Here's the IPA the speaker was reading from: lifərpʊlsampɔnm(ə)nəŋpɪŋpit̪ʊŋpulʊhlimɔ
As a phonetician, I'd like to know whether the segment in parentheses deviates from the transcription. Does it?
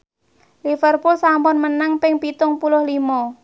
no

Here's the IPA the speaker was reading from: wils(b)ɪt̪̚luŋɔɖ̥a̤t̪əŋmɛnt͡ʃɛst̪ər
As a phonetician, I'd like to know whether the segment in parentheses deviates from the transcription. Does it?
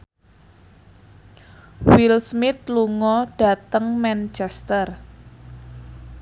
yes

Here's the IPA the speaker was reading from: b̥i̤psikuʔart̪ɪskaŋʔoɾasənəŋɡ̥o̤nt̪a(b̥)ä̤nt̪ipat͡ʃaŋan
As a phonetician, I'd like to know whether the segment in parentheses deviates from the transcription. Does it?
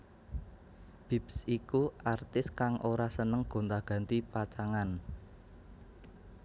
yes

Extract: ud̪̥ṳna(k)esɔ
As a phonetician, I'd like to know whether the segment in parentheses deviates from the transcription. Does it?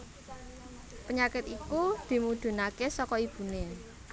no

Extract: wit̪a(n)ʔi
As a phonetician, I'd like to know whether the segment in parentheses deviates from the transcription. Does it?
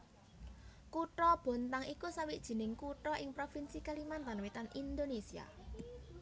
no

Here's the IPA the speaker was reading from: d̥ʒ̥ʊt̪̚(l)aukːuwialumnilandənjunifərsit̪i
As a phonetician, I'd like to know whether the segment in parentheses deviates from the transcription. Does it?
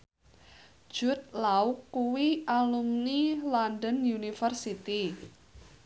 no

